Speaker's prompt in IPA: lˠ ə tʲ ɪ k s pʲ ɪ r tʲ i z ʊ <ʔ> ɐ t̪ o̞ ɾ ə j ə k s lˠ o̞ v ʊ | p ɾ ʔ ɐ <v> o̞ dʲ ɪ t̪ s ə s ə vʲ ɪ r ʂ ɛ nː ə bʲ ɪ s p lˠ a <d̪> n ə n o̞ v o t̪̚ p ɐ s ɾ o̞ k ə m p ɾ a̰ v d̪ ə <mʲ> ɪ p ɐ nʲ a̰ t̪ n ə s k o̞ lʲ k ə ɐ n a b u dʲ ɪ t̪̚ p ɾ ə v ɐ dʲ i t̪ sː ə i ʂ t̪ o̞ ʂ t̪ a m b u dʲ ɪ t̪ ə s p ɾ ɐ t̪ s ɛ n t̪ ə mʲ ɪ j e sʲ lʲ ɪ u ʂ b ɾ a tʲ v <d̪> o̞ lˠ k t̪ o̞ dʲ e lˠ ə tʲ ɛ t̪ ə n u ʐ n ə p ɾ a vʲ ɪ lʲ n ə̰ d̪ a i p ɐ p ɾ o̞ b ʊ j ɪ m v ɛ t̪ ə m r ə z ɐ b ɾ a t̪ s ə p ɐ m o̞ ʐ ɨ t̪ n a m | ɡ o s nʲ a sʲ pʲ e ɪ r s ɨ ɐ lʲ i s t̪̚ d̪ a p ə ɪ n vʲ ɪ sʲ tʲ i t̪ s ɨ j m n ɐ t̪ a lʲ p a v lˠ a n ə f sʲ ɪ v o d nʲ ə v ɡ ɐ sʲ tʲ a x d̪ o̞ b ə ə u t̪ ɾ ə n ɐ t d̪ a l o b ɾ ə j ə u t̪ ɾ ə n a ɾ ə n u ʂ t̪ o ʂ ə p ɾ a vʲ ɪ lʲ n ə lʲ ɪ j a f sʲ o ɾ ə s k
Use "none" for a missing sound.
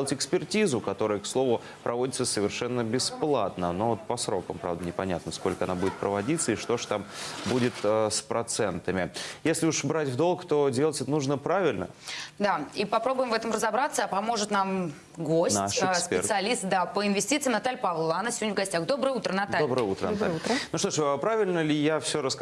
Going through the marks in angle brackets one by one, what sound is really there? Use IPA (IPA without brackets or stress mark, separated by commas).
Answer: k, v, t̪, nʲ, d̪